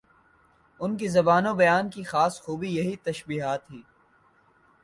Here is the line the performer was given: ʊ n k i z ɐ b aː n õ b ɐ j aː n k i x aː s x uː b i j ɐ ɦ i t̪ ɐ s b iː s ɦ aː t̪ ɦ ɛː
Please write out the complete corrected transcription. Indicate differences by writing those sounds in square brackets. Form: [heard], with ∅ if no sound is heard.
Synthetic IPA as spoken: ʊ n k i z ɐ b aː n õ b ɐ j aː n k i x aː s x uː b i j ɐ ɦ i t̪ ɐ [ʃ] b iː [∅] ɦ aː t̪ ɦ [iː]

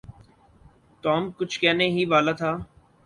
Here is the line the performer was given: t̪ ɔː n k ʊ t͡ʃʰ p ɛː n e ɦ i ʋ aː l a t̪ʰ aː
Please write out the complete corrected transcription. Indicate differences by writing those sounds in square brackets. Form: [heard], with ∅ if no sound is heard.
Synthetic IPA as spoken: t̪ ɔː [m] k ʊ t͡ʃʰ [k] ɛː n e ɦ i ʋ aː l a t̪ʰ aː

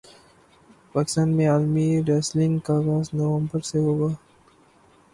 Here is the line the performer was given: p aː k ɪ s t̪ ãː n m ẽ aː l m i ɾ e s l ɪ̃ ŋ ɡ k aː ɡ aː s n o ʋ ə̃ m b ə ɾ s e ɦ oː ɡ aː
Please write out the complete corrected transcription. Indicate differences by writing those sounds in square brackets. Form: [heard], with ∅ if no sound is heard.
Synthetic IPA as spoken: p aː k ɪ s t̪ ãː n m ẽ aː l m i ɾ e s l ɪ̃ ŋ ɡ k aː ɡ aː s n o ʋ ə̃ m b ə ɾ s e ɦ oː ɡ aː

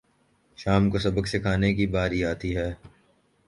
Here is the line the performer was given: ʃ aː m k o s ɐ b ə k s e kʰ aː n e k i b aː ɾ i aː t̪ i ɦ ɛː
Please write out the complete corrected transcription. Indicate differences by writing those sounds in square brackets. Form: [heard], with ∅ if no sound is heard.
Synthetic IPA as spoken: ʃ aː m k o s ɐ b ə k s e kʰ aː n e k i b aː ɾ i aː t̪ i ɦ ɛː

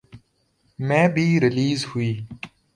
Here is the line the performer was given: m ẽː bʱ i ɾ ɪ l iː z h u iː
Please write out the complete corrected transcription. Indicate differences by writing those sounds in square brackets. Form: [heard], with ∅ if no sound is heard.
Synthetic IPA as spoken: m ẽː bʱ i ɾ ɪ l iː z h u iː

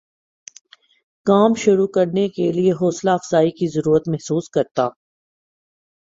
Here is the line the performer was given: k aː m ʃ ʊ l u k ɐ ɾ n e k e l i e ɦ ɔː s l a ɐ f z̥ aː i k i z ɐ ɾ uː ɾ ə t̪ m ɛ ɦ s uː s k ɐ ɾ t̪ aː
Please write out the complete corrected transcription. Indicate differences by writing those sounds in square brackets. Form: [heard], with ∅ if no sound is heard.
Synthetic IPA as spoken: k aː m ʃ ʊ [ɾ] u k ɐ ɾ n e k e l i e ɦ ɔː s l a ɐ f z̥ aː i k i z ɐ ɾ uː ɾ ə t̪ m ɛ ɦ s uː s k ɐ ɾ t̪ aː

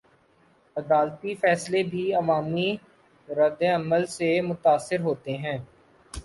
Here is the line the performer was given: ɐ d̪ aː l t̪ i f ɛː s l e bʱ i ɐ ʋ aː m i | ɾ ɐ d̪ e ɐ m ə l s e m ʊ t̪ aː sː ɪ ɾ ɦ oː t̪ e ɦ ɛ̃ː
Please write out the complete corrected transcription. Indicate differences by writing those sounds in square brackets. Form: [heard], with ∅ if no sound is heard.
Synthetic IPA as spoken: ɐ d̪ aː l t̪ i f ɛː s l e bʱ i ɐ ʋ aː m i | ɾ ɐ d̪ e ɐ m ə l s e m ʊ t̪ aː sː ɪ ɾ ɦ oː t̪ e ɦ ɛ̃ː

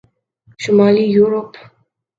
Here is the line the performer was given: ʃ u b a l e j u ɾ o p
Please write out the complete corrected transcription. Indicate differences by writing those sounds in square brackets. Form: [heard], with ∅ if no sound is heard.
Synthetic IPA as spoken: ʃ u [m] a l [i] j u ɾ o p

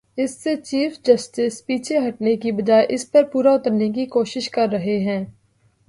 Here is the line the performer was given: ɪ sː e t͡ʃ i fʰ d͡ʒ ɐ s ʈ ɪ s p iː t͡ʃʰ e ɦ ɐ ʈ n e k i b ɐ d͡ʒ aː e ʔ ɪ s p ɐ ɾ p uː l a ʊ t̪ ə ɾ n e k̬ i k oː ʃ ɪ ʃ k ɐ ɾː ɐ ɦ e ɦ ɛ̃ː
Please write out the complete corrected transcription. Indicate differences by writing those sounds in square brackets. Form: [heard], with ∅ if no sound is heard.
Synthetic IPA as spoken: ɪ sː e t͡ʃ [iː] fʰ d͡ʒ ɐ s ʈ ɪ s p iː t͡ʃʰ e ɦ ɐ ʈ n e k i b ɐ d͡ʒ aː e ʔ ɪ s p ɐ ɾ p uː [ɾ] a ʊ t̪ ə ɾ n e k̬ i k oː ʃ ɪ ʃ k ɐ ɾː ɐ ɦ e ɦ ɛ̃ː

